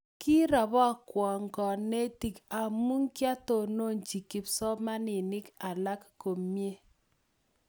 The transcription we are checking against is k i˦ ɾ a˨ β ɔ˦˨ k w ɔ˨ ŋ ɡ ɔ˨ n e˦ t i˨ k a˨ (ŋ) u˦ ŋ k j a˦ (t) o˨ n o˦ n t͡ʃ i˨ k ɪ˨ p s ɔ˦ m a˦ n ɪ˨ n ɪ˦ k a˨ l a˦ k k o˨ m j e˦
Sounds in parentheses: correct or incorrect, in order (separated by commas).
incorrect, correct